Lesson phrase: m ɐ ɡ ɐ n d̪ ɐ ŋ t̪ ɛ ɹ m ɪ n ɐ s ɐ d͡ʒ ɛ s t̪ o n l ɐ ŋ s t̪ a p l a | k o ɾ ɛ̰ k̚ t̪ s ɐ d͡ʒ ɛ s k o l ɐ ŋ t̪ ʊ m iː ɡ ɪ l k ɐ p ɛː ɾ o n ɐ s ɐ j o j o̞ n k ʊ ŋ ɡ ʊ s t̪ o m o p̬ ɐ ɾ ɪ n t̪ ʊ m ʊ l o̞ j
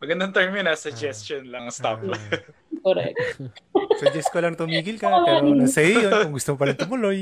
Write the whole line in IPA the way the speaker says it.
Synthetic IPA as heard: m ɐ ɡ ɐ n d̪ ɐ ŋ t̪ ɛ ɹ m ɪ n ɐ s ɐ d͡ʒ ɛ s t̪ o n l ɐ ŋ s t̪ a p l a | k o ɾ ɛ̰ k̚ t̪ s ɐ d͡ʒ ɛ s k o l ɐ ŋ t̪ ʊ m iː ɡ ɪ l k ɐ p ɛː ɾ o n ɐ s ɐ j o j o̞ n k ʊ ŋ ɡ ʊ s t̪ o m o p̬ ɐ ɾ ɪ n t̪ ʊ m ʊ l o̞ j